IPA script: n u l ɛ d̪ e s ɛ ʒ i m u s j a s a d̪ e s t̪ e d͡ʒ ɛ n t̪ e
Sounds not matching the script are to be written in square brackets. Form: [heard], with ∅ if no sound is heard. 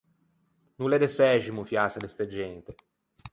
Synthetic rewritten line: n u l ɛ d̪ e s ɛ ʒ i m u [f] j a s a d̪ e s t̪ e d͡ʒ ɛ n t̪ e